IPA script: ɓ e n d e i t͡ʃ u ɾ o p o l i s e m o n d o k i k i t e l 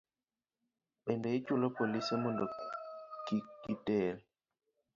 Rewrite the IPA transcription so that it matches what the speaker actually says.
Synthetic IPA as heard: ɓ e n d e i t͡ʃ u l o p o l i s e m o n d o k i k i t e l